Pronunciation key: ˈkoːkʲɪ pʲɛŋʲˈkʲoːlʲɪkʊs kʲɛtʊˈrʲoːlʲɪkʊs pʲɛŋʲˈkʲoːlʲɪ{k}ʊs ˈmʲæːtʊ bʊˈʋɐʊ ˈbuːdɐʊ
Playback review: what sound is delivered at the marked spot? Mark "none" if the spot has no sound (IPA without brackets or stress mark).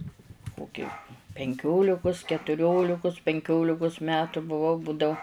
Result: k